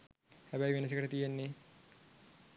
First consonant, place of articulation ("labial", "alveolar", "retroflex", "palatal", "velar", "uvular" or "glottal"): glottal